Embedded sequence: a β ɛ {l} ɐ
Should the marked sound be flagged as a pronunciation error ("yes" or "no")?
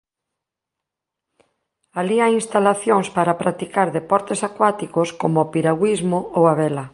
no